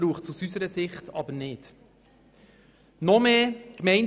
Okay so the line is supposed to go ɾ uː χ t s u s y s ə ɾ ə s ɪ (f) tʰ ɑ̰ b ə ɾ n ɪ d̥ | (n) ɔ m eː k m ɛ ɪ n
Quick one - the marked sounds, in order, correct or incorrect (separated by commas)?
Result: incorrect, correct